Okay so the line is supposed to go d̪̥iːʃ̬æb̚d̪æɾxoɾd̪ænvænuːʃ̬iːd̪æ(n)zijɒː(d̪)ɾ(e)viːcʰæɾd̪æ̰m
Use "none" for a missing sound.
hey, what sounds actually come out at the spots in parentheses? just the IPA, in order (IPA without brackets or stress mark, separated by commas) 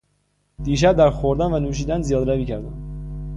n, d̪, æ